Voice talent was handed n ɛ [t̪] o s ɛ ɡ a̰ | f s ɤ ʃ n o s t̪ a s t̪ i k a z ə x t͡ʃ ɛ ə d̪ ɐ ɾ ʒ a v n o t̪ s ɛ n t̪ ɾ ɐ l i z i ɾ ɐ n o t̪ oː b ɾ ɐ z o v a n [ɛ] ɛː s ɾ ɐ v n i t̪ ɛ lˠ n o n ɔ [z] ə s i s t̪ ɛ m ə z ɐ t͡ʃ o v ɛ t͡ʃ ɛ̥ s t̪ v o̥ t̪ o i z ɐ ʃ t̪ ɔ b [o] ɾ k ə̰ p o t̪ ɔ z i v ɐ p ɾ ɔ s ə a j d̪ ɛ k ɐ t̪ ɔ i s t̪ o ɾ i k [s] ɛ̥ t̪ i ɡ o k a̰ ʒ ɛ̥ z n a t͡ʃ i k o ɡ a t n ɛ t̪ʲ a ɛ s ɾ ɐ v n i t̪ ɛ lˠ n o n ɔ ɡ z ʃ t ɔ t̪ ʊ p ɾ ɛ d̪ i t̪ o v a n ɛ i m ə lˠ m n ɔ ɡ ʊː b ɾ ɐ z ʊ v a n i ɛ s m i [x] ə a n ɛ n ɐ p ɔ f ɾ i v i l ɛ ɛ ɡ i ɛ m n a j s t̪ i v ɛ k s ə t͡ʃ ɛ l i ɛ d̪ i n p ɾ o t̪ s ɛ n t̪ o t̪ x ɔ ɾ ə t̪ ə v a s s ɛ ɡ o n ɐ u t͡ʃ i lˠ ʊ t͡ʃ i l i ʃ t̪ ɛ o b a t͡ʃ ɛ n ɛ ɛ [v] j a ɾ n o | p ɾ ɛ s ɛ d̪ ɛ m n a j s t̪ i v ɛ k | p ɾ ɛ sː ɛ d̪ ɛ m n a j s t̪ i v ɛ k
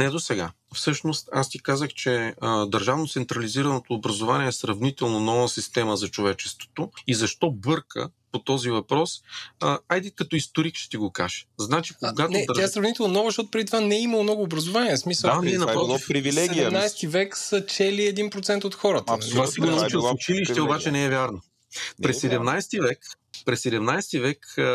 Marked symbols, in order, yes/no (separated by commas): no, no, no, no, no, no, yes